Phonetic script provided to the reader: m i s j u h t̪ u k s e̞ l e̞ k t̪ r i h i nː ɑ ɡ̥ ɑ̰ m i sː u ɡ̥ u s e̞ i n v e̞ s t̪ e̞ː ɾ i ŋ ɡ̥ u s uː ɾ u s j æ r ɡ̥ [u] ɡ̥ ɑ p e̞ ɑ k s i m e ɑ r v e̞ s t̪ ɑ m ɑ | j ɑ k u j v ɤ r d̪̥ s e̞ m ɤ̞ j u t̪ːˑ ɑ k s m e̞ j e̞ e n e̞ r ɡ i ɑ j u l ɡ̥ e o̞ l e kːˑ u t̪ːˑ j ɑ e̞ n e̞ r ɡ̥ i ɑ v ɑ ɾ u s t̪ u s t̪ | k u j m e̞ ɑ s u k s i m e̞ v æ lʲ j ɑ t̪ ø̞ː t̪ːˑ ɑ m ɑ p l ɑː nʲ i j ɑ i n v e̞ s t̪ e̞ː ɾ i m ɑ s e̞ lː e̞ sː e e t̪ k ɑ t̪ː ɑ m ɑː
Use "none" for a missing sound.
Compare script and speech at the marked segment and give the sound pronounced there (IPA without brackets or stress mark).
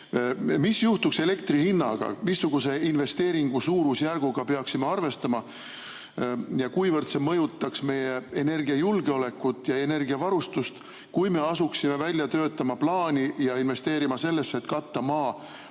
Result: u